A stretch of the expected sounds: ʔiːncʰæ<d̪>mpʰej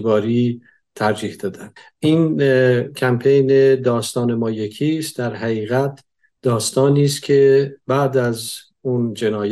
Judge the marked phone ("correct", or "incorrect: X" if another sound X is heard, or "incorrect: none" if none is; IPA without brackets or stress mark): incorrect: none